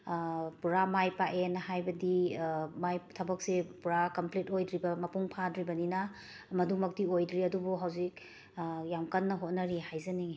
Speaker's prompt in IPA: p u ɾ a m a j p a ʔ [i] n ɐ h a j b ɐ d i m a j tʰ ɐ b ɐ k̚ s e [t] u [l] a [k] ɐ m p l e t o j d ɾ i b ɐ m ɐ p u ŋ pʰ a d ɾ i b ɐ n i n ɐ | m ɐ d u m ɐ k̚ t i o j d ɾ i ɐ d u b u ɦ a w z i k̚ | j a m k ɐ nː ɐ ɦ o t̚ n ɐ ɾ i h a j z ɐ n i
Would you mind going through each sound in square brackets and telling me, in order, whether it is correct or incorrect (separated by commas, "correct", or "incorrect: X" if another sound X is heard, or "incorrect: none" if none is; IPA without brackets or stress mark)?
incorrect: e, incorrect: p, incorrect: ɾ, correct